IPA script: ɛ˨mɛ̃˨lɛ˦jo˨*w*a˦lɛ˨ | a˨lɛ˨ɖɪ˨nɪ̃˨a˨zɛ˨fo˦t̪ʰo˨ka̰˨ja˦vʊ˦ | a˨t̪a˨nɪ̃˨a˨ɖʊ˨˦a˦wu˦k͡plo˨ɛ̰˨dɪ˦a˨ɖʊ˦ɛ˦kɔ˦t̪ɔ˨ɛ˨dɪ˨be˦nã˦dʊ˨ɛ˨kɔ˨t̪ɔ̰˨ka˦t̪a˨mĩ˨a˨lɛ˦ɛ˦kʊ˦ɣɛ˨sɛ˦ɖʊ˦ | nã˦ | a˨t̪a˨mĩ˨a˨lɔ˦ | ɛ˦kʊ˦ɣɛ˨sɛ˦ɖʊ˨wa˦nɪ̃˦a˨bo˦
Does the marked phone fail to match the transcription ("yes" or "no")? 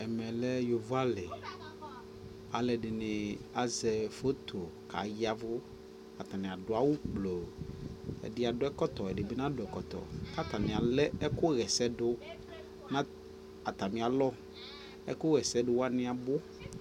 yes